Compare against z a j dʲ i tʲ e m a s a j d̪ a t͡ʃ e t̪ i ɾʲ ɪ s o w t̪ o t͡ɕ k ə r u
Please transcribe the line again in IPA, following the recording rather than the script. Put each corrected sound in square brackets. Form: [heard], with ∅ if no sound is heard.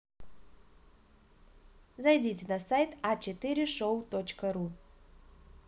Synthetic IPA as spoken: z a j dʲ i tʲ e [n] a s a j [t̪] a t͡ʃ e t̪ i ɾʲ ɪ [ʂ] o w t̪ o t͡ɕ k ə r u